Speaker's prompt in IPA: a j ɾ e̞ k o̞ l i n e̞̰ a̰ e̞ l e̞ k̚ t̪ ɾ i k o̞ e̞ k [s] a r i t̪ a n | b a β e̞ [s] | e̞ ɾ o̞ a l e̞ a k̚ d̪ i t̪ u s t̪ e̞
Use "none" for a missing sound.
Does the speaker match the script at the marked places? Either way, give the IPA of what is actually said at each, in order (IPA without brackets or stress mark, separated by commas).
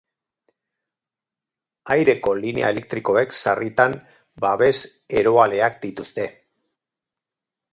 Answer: s, s